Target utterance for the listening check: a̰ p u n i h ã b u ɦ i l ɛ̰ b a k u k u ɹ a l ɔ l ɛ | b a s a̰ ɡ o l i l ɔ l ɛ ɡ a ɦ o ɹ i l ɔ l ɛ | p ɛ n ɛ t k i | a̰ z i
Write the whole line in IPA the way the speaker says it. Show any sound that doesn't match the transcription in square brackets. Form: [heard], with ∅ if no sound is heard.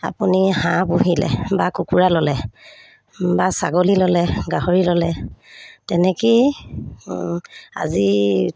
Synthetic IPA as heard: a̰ p u n i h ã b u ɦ i l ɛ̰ b a k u k u ɹ a l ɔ l ɛ | b a s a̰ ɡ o l i l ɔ l ɛ ɡ a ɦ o ɹ i l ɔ l ɛ | [t] ɛ n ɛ [∅] k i | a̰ z i